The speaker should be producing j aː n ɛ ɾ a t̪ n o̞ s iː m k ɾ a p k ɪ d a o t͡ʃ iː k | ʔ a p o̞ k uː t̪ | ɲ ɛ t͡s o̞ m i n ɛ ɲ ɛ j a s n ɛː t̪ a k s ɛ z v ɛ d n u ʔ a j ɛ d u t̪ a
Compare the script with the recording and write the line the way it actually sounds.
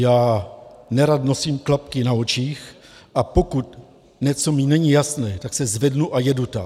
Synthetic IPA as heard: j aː n ɛ ɾ a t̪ n o̞ s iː m k l a p k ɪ n a o t͡ʃ iː x | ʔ a p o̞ k u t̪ | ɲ ɛ t͡s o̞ m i n ɛ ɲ i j a s n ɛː t̪ a k s ɛ z v ɛ d n u ʔ a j ɛ d u t̪ a